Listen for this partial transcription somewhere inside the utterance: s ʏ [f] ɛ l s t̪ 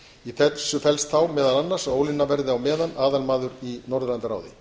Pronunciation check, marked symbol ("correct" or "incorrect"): correct